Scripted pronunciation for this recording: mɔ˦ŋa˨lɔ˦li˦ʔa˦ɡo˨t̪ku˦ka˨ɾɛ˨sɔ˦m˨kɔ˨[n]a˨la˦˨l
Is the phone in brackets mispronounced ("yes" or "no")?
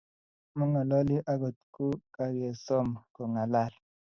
yes